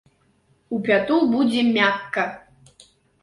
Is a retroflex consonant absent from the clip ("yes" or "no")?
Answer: yes